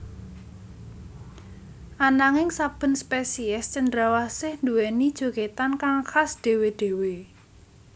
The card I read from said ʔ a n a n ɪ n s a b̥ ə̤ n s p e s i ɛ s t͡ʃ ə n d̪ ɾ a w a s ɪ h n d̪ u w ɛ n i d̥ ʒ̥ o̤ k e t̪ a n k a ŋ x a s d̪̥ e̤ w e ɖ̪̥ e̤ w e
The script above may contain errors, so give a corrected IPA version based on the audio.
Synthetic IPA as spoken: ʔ a n a ŋ ɪ ŋ s a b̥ ə̤ n s p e s i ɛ s t͡ʃ ə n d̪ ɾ a w a s ɪ h n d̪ u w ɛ n i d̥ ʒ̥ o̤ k e t̪ a n k a ŋ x a s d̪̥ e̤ w e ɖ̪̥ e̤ w e